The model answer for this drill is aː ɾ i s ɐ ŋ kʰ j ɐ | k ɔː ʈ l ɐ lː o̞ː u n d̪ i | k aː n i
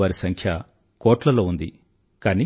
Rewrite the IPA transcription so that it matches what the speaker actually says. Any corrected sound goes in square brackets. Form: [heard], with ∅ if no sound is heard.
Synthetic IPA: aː ɾ i s ɐ ŋ kʰ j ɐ | k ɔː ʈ l ɐ [l] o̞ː u n d̪ i | k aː n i